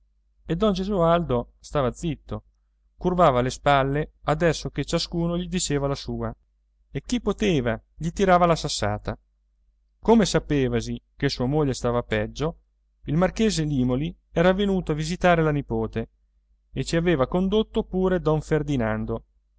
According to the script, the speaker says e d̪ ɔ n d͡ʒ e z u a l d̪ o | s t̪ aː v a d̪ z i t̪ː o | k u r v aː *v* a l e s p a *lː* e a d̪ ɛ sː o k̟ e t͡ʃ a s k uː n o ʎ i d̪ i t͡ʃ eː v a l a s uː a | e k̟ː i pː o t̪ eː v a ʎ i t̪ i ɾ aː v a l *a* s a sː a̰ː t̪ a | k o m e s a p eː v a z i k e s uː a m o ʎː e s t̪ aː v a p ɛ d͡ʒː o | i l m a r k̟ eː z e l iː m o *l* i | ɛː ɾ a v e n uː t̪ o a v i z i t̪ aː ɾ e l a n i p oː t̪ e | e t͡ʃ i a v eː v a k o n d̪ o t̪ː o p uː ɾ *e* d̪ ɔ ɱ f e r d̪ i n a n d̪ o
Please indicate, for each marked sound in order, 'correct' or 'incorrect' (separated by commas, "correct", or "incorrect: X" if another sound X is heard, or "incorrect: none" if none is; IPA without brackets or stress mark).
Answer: correct, correct, correct, correct, correct